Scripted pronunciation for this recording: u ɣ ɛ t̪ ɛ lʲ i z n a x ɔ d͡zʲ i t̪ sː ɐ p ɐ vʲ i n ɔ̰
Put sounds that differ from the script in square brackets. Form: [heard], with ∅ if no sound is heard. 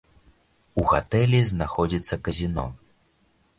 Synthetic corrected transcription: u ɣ [a] t̪ ɛ lʲ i z n a x ɔ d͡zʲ i t̪ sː ɐ [k] ɐ [zʲ] i n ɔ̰